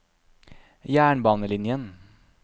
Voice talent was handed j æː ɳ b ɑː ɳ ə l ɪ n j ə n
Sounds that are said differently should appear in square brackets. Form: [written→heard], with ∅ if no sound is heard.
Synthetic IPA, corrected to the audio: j æː ɳ b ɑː [ɳ→n] ə l ɪ n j ə n